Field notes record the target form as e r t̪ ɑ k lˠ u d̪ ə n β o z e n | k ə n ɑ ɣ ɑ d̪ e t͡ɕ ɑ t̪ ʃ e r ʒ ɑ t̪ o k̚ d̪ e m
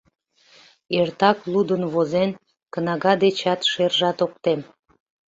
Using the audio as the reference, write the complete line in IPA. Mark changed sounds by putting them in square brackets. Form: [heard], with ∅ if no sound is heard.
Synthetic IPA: e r t̪ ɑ k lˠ u d̪ ə n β o z e n | k ə n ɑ ɣ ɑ d̪ e t͡ɕ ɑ t̪ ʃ e r ʒ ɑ t̪ o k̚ [t̪] e m